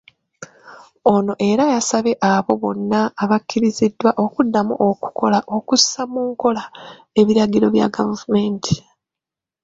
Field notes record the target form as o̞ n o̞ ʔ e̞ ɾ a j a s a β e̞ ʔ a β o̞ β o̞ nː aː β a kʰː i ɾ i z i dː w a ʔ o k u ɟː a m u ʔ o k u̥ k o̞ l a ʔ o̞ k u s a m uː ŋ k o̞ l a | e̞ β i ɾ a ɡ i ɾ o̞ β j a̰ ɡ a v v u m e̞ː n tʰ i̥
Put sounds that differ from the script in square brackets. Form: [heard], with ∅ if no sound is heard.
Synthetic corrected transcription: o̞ n o̞ ʔ e̞ ɾ a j a s a β e̞ ʔ a β o̞ β o̞ nː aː β a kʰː i ɾ i z i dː w a ʔ o k u [dː] a m u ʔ o k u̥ k o̞ l a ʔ o̞ k u s a m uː ŋ k o̞ l a | e̞ β i ɾ a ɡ i ɾ o̞ β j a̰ ɡ a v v u m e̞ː n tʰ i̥